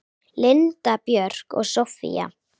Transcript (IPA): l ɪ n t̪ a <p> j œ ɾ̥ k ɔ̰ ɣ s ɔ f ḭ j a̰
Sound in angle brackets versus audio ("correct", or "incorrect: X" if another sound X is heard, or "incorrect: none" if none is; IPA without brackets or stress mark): correct